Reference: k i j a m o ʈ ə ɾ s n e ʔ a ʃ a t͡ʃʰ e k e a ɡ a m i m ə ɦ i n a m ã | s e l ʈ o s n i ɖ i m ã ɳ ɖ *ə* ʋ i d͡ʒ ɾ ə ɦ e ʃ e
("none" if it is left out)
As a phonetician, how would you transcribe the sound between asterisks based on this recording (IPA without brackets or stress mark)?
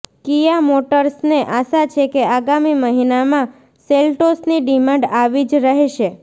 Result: a